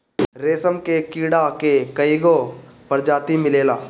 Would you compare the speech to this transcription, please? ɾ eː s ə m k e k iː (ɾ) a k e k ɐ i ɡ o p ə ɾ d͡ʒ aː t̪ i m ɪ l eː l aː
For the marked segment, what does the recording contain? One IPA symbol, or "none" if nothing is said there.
ɽ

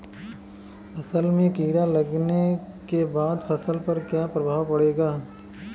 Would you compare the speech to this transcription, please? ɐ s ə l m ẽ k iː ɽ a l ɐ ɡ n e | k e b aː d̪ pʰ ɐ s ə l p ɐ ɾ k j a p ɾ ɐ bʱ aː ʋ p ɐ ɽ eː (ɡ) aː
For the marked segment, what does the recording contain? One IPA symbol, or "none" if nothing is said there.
ɡ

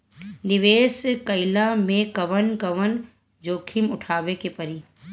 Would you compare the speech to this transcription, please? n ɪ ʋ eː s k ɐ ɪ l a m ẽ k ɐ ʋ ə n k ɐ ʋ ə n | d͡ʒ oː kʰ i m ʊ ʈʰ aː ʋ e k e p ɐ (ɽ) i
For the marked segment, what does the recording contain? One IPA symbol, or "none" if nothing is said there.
ɾ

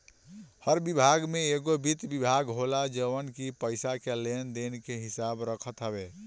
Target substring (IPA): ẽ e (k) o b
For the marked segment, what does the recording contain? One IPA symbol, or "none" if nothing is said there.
ɡ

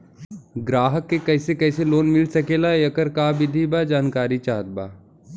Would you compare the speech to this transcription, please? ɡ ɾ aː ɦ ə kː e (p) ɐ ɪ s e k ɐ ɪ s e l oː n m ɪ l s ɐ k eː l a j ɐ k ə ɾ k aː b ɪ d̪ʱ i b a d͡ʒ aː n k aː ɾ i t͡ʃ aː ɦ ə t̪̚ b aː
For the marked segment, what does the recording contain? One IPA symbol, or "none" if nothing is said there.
k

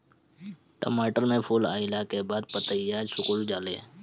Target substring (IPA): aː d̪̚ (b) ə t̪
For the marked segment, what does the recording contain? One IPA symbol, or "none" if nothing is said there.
p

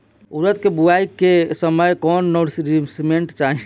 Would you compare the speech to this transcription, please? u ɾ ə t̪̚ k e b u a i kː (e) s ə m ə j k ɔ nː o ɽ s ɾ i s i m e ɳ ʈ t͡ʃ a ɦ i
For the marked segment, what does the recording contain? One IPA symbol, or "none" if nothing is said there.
e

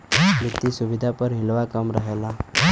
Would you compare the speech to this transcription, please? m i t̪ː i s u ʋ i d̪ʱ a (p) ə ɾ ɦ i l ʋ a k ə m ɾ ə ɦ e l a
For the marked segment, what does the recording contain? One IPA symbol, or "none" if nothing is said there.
p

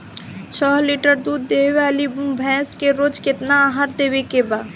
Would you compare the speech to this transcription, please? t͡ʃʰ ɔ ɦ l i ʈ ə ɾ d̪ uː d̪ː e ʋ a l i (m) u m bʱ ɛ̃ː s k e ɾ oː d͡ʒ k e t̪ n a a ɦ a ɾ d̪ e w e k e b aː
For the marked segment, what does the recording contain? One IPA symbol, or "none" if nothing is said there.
b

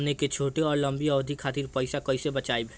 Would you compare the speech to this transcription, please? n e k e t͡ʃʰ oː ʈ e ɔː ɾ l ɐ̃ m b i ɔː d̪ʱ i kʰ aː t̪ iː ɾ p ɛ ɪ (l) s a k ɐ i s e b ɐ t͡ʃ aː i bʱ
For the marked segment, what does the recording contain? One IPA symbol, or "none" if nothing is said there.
none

